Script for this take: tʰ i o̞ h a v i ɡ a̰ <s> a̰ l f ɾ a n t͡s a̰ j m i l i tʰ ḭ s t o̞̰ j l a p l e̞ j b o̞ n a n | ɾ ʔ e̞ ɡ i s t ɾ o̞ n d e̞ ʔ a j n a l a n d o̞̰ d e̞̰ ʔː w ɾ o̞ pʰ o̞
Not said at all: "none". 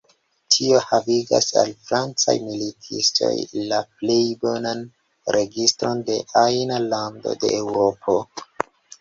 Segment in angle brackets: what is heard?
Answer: s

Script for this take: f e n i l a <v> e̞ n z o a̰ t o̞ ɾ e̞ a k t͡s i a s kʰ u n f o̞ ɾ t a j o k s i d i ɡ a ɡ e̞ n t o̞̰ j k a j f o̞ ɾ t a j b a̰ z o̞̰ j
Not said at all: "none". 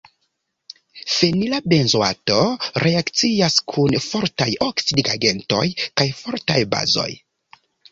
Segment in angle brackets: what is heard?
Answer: b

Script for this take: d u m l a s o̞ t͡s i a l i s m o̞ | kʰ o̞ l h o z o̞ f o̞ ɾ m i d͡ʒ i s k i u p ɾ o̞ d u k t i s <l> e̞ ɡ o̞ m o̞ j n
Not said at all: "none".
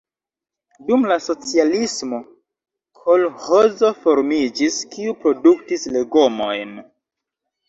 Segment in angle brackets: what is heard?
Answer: l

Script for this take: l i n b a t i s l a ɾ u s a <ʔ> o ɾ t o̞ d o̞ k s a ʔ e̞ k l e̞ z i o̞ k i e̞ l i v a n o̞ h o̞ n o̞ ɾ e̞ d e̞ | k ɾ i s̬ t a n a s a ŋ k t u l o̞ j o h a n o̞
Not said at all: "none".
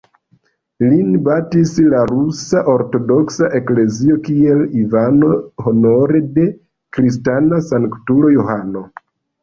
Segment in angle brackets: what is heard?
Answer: ʔ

